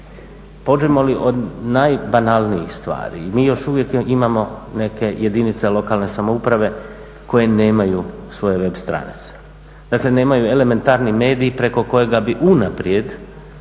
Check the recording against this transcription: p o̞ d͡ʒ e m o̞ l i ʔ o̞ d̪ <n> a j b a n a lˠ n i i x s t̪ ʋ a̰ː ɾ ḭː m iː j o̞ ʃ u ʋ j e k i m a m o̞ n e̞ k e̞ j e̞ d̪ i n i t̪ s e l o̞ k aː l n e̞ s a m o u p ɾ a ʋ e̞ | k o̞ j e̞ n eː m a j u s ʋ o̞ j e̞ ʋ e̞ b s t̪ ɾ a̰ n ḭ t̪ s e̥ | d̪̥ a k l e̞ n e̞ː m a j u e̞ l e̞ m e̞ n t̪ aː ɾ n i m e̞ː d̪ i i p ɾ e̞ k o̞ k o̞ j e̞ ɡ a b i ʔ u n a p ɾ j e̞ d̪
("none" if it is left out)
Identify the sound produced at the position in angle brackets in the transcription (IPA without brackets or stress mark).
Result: n